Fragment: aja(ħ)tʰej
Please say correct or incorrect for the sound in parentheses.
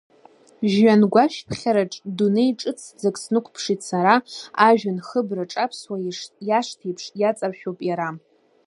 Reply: incorrect